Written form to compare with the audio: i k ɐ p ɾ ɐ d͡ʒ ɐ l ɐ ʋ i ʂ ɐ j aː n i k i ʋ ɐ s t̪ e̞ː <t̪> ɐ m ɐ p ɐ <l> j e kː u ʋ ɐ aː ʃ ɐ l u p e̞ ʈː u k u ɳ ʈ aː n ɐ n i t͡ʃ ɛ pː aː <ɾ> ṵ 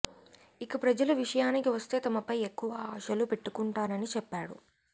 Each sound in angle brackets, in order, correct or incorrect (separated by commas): correct, incorrect, incorrect